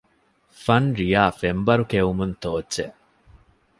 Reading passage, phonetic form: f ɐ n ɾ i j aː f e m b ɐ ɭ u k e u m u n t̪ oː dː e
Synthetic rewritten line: f ɐ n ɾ i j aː f e m b ɐ ɾ u k e u m u n t̪ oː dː e